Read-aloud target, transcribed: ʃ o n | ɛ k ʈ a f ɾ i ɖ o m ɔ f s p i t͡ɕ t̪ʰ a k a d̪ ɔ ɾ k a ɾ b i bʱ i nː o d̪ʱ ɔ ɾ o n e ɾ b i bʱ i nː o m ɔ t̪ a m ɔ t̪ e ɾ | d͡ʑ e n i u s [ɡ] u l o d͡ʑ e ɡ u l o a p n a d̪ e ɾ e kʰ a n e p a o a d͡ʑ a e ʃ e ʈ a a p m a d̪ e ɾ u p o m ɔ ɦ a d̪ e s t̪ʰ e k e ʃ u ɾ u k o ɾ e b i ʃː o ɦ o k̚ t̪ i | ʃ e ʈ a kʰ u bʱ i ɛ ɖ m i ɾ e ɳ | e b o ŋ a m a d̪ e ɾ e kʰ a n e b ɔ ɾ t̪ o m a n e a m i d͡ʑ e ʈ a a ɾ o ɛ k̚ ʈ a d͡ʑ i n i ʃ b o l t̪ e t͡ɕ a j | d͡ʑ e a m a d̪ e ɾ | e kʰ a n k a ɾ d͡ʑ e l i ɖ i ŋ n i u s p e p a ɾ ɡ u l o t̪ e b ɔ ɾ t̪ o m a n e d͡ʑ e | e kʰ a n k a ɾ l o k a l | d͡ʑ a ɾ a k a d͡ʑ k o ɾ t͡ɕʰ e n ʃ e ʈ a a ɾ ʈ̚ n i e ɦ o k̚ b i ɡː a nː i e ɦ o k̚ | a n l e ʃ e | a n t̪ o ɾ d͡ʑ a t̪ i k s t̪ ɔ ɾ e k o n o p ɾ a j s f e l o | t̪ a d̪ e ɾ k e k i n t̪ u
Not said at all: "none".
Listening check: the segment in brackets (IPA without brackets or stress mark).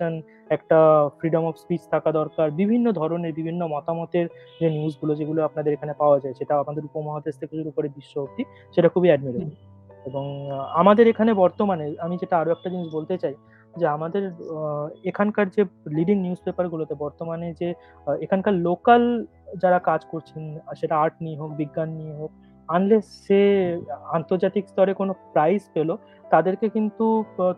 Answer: ɡ